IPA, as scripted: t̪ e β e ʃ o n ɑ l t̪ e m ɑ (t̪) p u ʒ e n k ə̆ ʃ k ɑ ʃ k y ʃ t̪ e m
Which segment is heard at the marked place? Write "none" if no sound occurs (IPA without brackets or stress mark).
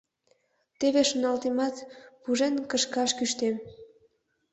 t̪